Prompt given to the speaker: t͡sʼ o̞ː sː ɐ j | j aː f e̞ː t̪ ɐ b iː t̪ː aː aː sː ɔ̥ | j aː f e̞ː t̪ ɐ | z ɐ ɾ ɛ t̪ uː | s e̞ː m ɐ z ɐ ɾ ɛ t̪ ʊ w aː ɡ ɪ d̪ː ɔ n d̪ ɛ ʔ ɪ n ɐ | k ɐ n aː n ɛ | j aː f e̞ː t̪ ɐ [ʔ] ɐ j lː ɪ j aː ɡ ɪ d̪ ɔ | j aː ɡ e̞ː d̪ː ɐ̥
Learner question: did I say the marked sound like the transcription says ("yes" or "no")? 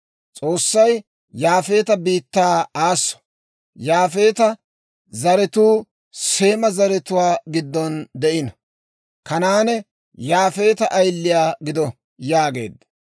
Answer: yes